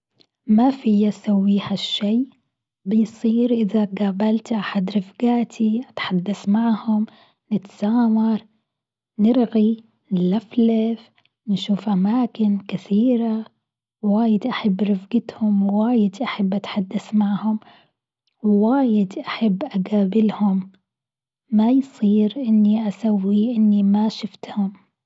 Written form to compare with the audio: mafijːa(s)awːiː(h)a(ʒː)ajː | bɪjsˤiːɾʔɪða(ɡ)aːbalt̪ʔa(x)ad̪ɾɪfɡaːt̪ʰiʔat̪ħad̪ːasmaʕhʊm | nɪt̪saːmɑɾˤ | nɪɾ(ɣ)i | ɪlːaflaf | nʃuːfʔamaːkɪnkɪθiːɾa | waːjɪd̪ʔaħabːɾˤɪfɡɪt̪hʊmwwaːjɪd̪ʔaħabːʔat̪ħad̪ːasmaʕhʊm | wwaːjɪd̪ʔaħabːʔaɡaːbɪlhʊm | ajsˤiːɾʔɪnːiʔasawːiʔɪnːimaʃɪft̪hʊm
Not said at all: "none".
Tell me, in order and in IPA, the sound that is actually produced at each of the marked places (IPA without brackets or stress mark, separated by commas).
s, h, ʃː, ɡ, ħ, ɣ